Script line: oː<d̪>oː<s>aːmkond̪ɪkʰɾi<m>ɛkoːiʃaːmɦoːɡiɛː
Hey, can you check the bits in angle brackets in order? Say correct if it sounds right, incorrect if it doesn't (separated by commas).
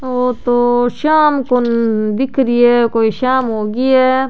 incorrect, incorrect, incorrect